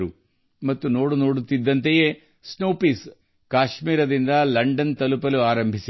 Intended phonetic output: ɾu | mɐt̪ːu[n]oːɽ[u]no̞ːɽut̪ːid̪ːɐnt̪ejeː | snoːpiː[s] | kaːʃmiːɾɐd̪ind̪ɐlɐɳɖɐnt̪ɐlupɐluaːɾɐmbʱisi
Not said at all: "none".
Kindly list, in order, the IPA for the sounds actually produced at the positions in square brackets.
n, u, s

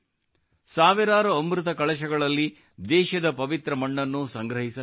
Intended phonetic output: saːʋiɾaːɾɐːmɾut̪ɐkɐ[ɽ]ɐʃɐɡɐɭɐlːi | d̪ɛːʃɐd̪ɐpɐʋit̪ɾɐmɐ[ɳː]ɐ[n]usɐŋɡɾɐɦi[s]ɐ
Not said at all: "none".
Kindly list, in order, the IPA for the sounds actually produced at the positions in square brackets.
ɭ, ɳː, nː, s

